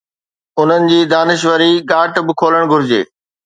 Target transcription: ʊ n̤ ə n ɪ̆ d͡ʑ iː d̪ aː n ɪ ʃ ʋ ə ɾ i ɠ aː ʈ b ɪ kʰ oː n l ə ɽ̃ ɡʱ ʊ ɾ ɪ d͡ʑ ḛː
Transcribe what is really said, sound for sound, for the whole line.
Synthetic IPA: ʊ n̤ ə n ɪ̆ d͡ʑ iː d̪ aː n ɪ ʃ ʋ ə ɾ i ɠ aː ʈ b ɪ kʰ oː l ə ɽ̃ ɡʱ ʊ ɾ ɪ d͡ʑ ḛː